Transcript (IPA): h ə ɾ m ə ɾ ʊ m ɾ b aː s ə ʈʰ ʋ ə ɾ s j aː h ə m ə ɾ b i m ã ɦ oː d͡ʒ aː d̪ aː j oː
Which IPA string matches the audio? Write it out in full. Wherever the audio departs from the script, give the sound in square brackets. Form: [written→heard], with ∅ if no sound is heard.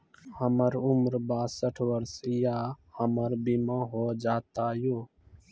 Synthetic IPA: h ə [ɾ→∅] m ə ɾ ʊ m ɾ b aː s ə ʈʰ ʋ ə ɾ s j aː h ə m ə ɾ b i m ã ɦ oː d͡ʒ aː [d̪→t̪] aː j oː